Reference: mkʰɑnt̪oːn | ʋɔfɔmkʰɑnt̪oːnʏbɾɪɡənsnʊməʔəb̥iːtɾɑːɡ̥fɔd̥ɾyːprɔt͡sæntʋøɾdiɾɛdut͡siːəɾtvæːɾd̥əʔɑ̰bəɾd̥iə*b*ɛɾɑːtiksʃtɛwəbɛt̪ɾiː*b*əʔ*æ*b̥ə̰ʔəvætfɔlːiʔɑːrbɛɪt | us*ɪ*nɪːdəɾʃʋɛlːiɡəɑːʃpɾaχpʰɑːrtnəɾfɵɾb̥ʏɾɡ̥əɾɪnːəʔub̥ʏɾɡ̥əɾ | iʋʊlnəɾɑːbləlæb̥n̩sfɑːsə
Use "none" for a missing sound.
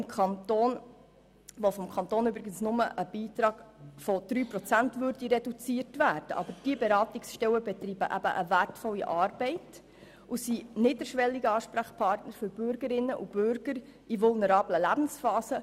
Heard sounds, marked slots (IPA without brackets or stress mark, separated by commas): b, b, æ, i